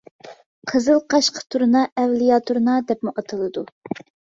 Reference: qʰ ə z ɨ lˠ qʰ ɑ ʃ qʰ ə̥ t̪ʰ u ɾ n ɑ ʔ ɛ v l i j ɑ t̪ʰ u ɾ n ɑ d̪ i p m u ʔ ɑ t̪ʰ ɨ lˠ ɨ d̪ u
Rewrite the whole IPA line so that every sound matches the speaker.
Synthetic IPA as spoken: qʰ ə z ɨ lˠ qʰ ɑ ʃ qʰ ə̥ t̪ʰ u ɾ n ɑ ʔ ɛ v l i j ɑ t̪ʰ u ɾ n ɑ d̪ ɛ p m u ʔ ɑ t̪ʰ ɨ lˠ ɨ d̪ u